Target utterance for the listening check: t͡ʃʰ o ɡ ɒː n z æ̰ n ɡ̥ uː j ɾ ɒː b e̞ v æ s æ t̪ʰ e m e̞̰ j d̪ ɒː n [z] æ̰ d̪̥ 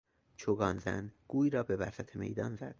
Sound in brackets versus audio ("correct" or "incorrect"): correct